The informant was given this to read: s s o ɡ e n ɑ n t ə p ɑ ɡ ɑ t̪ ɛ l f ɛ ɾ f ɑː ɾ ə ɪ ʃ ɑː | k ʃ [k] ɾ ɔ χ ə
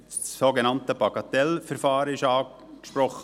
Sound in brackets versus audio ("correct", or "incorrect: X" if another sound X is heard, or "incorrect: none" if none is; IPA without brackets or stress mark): incorrect: p